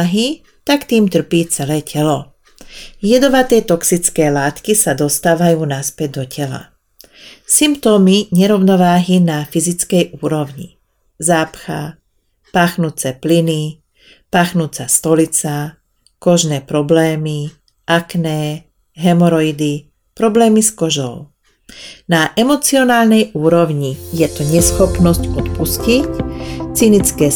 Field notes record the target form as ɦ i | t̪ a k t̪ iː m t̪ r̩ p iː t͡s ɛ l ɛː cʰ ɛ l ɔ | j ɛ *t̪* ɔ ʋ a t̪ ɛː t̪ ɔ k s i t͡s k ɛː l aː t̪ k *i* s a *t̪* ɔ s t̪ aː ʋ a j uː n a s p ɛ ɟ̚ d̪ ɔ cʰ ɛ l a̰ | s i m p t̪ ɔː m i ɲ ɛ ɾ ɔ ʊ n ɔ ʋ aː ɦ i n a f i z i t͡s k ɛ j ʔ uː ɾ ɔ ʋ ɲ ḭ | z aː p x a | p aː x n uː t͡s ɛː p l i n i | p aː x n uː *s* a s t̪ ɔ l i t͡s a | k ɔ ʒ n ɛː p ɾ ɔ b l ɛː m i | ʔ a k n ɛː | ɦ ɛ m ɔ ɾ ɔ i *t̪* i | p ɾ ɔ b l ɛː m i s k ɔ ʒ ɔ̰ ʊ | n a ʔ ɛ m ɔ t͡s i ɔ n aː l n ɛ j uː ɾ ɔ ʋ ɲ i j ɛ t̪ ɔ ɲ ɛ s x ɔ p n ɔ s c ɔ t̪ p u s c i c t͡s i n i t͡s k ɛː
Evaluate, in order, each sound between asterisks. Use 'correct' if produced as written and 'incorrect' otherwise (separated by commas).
incorrect, correct, incorrect, incorrect, incorrect